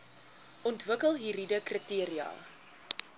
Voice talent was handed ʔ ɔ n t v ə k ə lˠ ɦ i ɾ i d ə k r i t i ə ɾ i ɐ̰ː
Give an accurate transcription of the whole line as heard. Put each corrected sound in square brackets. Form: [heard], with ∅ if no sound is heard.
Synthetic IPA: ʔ ɔ n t v ə k ə lˠ ɦ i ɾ i d ə k r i t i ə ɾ i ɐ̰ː